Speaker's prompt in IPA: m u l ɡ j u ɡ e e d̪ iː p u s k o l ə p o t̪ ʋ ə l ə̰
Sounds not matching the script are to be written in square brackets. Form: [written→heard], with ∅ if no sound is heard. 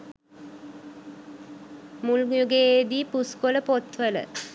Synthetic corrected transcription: m u l ɡ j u ɡ e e d̪ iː p u s k o l ə p o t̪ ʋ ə l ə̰

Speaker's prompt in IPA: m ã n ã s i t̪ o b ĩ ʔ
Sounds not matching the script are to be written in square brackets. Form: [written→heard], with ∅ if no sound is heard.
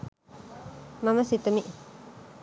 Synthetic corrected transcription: m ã [n→m] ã s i t̪ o [b→m] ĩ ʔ

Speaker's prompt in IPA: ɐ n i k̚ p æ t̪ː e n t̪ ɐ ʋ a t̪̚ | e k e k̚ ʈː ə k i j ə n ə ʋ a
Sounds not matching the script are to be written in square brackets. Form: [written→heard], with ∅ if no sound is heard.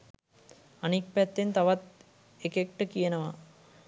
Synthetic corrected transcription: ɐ n i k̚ p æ t̪ː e n t̪ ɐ ʋ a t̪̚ | e k e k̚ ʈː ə k i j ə n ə ʋ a

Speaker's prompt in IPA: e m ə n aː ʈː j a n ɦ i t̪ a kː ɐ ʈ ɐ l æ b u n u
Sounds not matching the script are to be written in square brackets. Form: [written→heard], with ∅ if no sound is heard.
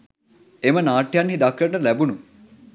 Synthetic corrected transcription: e m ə n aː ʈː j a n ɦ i [t̪→d̪] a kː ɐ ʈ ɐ l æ b u n u

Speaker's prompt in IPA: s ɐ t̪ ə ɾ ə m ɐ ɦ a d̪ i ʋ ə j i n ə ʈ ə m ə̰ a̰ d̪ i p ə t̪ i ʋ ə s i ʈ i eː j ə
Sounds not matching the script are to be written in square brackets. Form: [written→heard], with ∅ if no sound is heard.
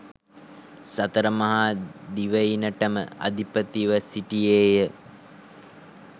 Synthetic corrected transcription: s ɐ t̪ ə ɾ ə m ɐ ɦ a d̪ i ʋ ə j i n ə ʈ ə m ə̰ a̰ d̪ i p ə t̪ i ʋ ə s i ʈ i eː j ə

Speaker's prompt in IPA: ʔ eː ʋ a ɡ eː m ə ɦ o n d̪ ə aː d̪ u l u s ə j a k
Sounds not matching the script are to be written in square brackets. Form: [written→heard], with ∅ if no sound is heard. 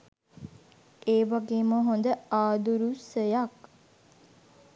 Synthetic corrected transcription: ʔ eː ʋ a ɡ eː m ə ɦ o n d̪ ə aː d̪ u [l→ɾ] u s ə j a k

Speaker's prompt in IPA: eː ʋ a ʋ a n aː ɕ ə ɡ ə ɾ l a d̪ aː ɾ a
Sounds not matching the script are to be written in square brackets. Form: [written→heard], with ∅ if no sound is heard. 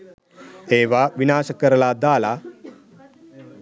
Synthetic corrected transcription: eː ʋ a ʋ [a→i] n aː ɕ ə [ɡ→k] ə ɾ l a d̪ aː [ɾ→l] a

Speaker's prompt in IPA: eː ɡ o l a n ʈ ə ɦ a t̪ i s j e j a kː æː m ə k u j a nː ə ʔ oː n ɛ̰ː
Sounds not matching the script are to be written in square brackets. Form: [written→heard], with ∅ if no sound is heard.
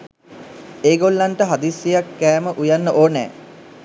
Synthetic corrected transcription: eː ɡ o [l→lː] a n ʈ ə ɦ a [t̪→d̪] i s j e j a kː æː m ə [k→ʔ] u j a nː ə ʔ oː n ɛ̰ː

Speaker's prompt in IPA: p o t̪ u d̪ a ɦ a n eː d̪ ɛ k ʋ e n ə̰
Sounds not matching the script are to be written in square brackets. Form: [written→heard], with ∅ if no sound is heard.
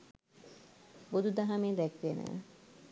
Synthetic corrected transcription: [p→b] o [t̪→d̪] u d̪ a ɦ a [n→m] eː d̪ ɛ k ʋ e n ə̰

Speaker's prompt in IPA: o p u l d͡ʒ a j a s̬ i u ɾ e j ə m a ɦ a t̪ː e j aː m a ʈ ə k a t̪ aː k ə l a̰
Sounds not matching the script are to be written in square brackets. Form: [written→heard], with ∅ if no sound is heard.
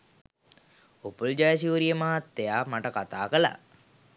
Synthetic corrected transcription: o p u l d͡ʒ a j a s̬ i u ɾ [e→i] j ə m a ɦ a t̪ː e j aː m a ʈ ə k a t̪ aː k ə l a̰

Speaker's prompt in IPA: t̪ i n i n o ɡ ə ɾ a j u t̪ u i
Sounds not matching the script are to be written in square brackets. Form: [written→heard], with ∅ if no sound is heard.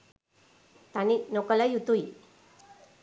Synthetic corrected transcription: t̪ [i→a] n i n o [ɡ→k] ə [ɾ→l] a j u t̪ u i

